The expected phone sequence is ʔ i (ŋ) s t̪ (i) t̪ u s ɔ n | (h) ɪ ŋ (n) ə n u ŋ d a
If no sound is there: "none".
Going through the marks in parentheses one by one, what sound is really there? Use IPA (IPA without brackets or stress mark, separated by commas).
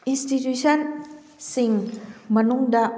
n, i, s, m